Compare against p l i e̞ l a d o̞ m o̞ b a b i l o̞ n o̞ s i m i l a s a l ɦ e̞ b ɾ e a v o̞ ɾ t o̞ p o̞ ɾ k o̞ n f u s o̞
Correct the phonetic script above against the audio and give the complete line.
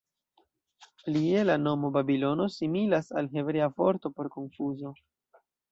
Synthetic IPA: p l i e̞ l a n o̞ m o̞ b a b i l o̞ n o̞ s i m i l a s a l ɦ e̞ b ɾ e a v o̞ ɾ t o̞ p o̞ ɾ k o̞ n f u z o̞